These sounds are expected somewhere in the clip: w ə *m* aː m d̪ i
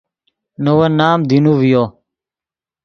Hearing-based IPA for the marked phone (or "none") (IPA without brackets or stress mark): n